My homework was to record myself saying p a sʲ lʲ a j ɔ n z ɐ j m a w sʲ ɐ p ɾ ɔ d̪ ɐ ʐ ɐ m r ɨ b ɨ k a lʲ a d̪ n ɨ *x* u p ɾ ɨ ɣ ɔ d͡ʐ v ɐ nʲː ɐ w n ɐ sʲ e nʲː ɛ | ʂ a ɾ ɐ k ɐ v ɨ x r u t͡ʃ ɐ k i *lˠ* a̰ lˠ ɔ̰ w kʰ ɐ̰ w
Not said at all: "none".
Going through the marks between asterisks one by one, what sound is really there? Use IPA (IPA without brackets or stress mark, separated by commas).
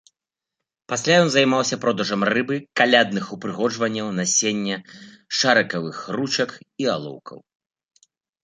x, none